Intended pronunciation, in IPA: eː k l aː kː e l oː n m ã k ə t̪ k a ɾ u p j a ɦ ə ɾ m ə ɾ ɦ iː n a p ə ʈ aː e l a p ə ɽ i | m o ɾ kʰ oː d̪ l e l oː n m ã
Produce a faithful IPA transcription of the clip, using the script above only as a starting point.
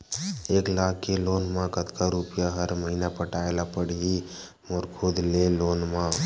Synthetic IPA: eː k l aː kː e l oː n m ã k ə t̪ k a ɾ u p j a ɦ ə ɾ m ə ɦ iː n a p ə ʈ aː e l a p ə ɽ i | m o ɾ kʰ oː d̪ l e l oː n m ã